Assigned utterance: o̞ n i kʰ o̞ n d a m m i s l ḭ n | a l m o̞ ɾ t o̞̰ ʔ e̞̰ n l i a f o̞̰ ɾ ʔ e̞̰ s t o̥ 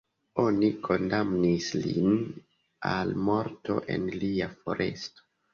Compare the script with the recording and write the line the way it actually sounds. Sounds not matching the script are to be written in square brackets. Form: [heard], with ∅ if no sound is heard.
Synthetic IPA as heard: o̞ n i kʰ o̞ n d a m [n] i s l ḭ n | a l m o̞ ɾ t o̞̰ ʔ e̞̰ n l i a f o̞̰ ɾ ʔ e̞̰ s t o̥